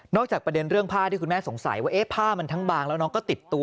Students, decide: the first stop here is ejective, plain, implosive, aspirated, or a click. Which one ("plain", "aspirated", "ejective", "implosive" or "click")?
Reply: plain